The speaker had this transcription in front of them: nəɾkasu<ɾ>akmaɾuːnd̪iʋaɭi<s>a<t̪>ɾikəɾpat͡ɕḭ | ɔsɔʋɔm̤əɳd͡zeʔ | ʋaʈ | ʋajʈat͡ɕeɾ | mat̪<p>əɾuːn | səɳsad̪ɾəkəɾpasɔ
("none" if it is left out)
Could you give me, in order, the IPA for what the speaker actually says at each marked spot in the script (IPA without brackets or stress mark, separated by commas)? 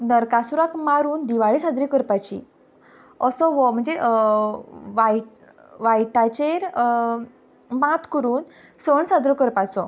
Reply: ɾ, s, d̪, k